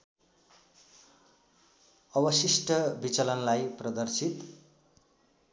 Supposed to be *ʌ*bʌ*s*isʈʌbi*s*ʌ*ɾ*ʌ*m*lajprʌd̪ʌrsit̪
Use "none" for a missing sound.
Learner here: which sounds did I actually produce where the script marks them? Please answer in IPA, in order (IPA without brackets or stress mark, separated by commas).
ʌ, s, t͡s, l, n